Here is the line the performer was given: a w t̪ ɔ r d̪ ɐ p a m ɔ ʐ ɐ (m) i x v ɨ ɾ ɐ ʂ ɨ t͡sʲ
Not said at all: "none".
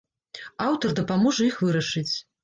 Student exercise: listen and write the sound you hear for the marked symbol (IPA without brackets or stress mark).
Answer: none